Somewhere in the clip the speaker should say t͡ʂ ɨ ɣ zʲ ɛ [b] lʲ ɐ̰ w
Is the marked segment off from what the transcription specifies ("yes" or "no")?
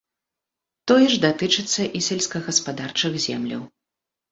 yes